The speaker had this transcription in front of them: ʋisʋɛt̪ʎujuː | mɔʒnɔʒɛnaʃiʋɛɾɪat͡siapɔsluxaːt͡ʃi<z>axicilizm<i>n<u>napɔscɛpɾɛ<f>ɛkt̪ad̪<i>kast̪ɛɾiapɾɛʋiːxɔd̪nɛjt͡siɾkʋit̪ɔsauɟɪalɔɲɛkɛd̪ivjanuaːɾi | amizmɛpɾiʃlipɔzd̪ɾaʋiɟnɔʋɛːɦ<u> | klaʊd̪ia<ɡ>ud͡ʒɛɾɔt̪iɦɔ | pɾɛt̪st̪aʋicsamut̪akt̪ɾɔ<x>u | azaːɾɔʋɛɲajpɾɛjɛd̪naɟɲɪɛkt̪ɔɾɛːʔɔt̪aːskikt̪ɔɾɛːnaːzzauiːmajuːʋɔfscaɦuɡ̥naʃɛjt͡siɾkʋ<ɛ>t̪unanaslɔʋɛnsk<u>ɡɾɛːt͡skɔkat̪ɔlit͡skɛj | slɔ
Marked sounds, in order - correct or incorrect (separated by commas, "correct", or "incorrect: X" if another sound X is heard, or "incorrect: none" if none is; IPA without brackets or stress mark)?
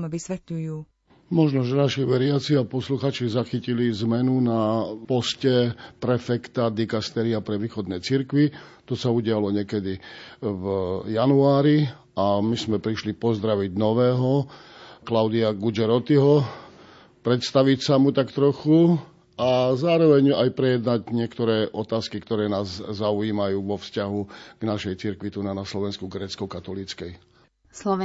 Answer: correct, incorrect: ɛ, correct, correct, correct, incorrect: ɔ, correct, correct, incorrect: i, correct